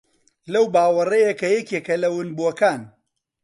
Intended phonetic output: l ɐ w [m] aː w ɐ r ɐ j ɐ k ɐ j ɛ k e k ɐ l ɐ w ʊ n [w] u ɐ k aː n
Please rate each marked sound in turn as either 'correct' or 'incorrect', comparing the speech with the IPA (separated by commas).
incorrect, incorrect